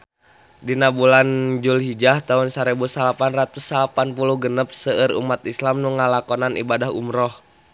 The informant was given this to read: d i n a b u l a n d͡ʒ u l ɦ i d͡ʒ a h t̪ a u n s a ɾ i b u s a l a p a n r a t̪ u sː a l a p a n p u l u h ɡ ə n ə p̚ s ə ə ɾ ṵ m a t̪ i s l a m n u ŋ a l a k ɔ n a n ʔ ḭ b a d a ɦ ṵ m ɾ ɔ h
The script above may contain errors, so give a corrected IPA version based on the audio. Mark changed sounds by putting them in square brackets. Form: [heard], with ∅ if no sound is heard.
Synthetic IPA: d i n a b u l a n d͡ʒ u l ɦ i d͡ʒ a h t̪ a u n s a ɾ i b u s a l a p a n r a t̪ u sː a l a p a n p u l u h ɡ ə n ə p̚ s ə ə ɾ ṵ m a t̪ i s l a m n u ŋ a l a k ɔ n a n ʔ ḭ b a d a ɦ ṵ m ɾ ɔ h